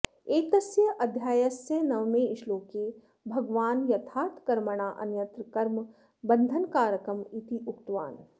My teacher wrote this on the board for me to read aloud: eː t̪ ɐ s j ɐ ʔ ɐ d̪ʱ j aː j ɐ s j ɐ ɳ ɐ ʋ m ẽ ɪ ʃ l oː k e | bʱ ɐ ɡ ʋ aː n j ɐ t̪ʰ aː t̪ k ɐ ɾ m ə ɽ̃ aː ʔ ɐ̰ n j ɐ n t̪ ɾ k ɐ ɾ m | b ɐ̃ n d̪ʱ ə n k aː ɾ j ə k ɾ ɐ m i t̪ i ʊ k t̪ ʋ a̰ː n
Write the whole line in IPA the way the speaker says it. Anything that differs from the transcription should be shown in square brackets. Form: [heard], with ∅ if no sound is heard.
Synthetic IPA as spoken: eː t̪ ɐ s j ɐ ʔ ɐ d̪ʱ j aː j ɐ s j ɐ [n] ɐ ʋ m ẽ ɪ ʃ l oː k e | bʱ ɐ ɡ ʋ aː n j ɐ t̪ʰ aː t̪ k ɐ ɾ m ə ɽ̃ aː ʔ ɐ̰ n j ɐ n t̪ ɾ k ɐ ɾ m | b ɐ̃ n d̪ʱ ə n k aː ɾ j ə k ɾ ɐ m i t̪ i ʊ k t̪ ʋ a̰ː n

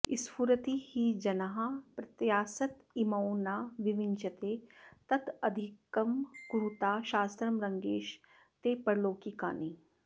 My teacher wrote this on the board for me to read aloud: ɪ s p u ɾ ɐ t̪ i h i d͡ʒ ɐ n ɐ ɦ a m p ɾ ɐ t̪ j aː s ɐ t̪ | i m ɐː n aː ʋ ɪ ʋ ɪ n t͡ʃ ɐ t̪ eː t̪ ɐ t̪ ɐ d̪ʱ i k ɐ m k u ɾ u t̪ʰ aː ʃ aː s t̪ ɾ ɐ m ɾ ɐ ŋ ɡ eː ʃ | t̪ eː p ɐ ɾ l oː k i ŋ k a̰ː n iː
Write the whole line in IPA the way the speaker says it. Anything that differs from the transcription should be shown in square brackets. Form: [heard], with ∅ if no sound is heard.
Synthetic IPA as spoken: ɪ s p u ɾ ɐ t̪ i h i d͡ʒ ɐ n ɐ ɦ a [∅] p ɾ ɐ t̪ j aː s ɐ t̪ | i m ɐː n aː ʋ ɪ ʋ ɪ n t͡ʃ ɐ t̪ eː t̪ ɐ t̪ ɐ d̪ʱ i k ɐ m k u ɾ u [t̪] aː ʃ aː s t̪ ɾ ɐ m ɾ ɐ ŋ ɡ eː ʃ | t̪ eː p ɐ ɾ l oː k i [∅] k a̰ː n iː

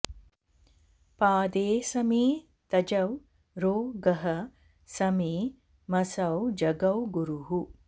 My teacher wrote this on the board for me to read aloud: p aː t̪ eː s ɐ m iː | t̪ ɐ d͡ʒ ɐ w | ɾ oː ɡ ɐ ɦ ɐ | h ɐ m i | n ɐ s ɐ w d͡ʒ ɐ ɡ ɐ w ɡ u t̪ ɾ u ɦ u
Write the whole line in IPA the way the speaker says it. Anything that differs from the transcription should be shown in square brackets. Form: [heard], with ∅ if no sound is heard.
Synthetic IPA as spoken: p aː [d̪] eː s ɐ m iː | t̪ ɐ d͡ʒ ɐ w | ɾ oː ɡ ɐ ɦ ɐ | [s] ɐ m i | [m] ɐ s ɐ w d͡ʒ ɐ ɡ ɐ w ɡ u [∅] ɾ u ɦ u

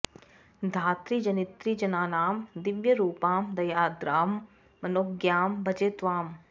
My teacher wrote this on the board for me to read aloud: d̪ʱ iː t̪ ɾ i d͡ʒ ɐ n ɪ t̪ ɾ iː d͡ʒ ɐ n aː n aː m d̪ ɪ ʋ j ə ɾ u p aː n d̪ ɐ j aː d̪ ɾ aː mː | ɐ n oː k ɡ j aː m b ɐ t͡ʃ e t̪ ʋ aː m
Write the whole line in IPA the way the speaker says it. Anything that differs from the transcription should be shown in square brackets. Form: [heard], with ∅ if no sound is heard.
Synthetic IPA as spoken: d̪ʱ [aː] t̪ ɾ i d͡ʒ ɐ n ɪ t̪ ɾ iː d͡ʒ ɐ n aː n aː m d̪ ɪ ʋ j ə ɾ [uː] p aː [m] d̪ ɐ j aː d̪ ɾ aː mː | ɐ n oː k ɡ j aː m b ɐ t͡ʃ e t̪ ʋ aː m

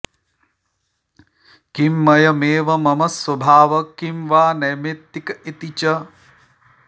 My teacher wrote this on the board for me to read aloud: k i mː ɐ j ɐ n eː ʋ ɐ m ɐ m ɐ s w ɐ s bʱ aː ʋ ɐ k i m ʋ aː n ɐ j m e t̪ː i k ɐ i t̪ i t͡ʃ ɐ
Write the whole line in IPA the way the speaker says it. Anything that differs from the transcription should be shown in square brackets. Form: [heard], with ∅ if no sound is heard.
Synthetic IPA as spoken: k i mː ɐ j ɐ [m] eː ʋ ɐ m ɐ m ɐ s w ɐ [∅] bʱ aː ʋ ɐ k i m ʋ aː n ɐ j m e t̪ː i k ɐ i t̪ i t͡ʃ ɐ

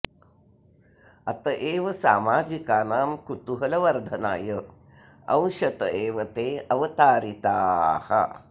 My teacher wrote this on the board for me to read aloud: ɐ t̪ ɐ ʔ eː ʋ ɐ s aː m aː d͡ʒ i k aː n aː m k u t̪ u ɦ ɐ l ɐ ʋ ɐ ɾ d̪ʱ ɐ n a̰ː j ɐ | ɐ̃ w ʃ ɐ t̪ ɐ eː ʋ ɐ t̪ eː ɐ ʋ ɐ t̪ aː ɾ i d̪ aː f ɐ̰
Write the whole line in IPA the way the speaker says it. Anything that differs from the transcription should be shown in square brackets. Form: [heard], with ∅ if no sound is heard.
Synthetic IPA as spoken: ɐ t̪ ɐ ʔ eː ʋ ɐ s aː m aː d͡ʒ i k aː n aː m k u t̪ u ɦ ɐ l ɐ ʋ ɐ ɾ d̪ʱ ɐ n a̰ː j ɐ | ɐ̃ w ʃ ɐ t̪ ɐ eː ʋ ɐ t̪ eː ɐ ʋ ɐ t̪ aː ɾ i [t̪] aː [h] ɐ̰

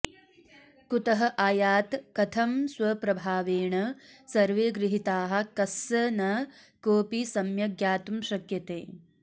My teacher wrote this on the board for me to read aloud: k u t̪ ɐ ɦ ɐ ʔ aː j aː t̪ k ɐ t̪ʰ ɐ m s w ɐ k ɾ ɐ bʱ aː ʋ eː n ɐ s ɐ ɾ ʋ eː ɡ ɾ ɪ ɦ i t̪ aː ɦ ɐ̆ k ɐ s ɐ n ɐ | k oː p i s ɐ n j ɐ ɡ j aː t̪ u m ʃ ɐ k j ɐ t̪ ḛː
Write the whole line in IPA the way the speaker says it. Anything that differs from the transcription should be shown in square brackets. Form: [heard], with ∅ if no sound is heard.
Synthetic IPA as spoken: k u t̪ ɐ ɦ ɐ ʔ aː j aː t̪ k ɐ t̪ʰ ɐ m s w ɐ [p] ɾ ɐ bʱ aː ʋ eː [ɳ] ɐ s ɐ ɾ ʋ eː ɡ ɾ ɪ ɦ i t̪ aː ɦ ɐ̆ k ɐ s ɐ n ɐ | k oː p i s ɐ [m] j ɐ ɡ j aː t̪ u m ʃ ɐ k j ɐ t̪ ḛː

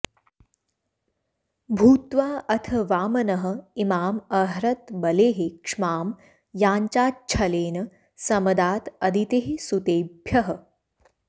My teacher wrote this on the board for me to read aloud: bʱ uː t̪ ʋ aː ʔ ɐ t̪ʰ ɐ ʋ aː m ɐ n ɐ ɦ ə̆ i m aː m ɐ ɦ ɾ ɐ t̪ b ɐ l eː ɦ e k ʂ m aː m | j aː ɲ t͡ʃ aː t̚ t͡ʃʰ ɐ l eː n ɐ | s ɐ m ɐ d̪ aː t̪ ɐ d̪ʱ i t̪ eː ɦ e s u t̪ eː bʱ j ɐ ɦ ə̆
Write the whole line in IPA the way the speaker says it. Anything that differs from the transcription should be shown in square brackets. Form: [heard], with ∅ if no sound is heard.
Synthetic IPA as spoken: bʱ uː t̪ ʋ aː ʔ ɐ t̪ʰ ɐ ʋ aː m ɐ n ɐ ɦ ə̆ i m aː m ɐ ɦ ɾ ɐ t̪ b ɐ l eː ɦ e k ʂ m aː m | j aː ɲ t͡ʃ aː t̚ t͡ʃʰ ɐ l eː n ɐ | s ɐ m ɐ d̪ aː t̪ ɐ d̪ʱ i t̪ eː ɦ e s u t̪ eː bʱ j ɐ ɦ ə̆

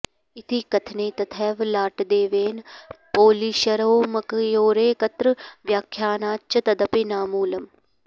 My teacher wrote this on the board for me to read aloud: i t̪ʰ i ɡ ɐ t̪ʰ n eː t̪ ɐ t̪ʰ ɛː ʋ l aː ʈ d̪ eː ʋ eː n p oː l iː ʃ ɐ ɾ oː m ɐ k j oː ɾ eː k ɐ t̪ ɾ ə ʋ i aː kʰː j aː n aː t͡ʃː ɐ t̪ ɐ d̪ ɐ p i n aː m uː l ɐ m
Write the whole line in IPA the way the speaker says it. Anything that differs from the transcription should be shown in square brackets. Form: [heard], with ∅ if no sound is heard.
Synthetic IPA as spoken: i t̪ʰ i [k] ɐ t̪ʰ n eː t̪ ɐ t̪ʰ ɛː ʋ l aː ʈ d̪ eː ʋ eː n p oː l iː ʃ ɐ ɾ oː m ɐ k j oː ɾ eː k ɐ t̪ ɾ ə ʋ [j] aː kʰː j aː n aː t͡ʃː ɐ t̪ ɐ d̪ ɐ p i n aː m uː l ɐ m

